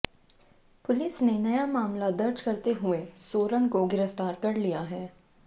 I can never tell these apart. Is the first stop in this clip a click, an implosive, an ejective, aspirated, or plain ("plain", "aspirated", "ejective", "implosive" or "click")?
plain